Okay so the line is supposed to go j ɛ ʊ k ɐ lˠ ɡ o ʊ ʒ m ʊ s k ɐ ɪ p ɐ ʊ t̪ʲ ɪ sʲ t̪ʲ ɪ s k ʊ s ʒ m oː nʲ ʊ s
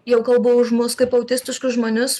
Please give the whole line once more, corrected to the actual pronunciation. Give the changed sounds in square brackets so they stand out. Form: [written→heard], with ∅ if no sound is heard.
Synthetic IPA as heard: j ɛ ʊ k ɐ lˠ [ɡ→b] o ʊ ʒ m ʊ s k ɐ ɪ p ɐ ʊ t̪ʲ ɪ sʲ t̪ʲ ɪ [s→ʃ] k ʊ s ʒ m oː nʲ ʊ s